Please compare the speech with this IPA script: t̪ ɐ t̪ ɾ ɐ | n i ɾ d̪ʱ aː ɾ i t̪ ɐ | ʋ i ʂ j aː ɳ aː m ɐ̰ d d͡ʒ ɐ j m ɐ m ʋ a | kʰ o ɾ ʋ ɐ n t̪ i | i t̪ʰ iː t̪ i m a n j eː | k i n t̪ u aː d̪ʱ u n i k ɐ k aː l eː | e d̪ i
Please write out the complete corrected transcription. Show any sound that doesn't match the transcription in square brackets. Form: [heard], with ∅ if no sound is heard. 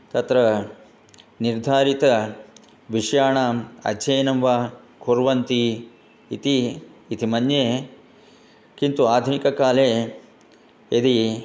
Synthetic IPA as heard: t̪ ɐ t̪ ɾ ɐ | n i ɾ d̪ʱ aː ɾ i t̪ ɐ | ʋ i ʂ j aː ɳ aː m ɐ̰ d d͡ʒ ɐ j [n] ɐ m ʋ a | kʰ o ɾ ʋ ɐ n t̪ i | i [t̪] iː t̪ i m [ɐ] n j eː | k i n t̪ u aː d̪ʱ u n i k ɐ k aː l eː | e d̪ i